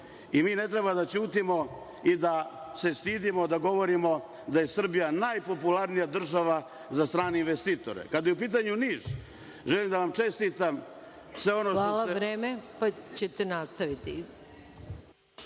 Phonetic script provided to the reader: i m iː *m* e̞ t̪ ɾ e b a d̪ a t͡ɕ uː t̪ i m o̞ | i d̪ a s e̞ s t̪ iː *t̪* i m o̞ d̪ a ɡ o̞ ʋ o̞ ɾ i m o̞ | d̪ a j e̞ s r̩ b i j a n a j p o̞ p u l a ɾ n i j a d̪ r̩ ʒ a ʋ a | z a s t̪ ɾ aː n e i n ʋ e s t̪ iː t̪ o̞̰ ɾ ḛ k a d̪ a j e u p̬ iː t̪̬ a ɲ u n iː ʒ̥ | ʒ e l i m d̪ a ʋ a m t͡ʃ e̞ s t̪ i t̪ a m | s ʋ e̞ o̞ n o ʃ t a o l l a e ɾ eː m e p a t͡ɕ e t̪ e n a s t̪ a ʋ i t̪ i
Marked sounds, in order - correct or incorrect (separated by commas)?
incorrect, incorrect